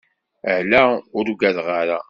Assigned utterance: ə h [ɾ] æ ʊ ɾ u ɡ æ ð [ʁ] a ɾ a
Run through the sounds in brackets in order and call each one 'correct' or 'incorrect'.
incorrect: l, correct

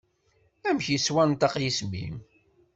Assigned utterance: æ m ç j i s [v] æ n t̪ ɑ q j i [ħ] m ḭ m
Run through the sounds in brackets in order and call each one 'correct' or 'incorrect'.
incorrect: w, incorrect: s

